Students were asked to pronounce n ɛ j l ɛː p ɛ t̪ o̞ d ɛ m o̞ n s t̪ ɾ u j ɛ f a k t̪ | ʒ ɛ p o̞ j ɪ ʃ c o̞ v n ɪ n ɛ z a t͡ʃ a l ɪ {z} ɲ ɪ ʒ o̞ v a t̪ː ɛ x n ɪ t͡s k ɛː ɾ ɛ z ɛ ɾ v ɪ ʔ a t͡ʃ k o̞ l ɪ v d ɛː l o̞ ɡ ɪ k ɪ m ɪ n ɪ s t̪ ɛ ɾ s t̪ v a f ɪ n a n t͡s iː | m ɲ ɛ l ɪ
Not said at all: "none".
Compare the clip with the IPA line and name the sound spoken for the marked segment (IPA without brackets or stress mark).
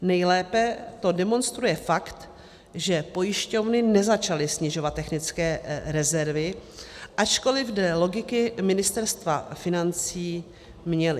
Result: s